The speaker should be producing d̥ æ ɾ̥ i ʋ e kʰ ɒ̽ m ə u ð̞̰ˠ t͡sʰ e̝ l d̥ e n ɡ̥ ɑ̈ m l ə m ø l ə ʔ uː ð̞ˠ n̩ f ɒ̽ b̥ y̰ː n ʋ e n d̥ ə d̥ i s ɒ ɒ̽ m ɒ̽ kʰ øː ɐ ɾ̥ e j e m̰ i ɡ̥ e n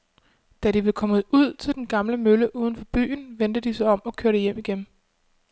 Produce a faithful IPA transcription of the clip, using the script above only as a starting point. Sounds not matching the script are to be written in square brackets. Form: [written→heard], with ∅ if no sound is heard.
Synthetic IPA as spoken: d̥ æ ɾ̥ i ʋ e kʰ ɒ̽ m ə u ð̞̰ˠ t͡sʰ e̝ l d̥ e n ɡ̥ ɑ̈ m l ə m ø l ə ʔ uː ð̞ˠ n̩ f ɒ̽ b̥ y̰ː n ʋ e n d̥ ə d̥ i s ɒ ɒ̽ m ɒ̽ kʰ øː ɐ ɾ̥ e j e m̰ i ɡ̥ e n